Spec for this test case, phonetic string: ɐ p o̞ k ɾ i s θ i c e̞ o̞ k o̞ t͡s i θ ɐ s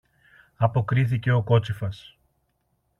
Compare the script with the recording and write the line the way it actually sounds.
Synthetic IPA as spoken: ɐ p o̞ k ɾ i θ i c e̞ o̞ k o̞ t͡s i f ɐ s